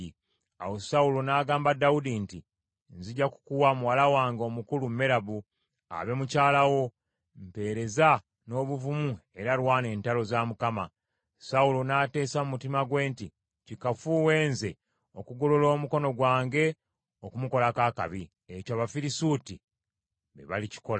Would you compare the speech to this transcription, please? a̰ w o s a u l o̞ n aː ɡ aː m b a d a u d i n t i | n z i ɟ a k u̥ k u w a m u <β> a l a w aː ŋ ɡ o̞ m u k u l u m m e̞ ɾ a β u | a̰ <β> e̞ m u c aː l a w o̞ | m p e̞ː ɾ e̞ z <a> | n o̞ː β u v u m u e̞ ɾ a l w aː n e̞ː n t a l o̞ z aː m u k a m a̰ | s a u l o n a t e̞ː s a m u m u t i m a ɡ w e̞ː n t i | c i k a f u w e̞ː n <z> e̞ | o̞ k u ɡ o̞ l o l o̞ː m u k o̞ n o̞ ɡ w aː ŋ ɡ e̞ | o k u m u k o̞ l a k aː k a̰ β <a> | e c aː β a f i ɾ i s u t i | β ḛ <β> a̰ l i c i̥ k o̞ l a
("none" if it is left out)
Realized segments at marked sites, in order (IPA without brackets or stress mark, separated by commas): w, β, a, z, i, β